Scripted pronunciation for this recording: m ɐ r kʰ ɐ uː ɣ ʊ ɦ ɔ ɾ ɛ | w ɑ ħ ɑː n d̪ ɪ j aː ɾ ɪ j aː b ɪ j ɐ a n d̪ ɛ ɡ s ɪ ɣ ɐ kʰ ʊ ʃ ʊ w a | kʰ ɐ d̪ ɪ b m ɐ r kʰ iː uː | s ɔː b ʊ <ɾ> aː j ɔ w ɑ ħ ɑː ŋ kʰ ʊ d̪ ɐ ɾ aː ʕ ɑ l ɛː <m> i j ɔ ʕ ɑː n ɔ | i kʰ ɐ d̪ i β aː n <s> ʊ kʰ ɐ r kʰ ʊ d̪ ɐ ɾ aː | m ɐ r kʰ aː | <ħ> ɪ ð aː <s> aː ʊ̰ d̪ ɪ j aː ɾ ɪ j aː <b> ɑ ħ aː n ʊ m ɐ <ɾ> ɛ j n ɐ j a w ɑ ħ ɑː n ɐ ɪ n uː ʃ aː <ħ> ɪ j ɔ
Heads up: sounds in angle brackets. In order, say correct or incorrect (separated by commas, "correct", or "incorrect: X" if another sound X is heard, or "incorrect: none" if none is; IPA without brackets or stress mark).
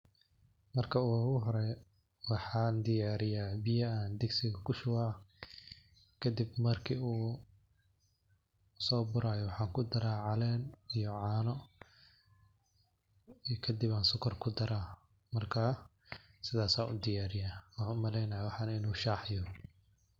correct, incorrect: n, correct, incorrect: s, correct, incorrect: w, incorrect: l, correct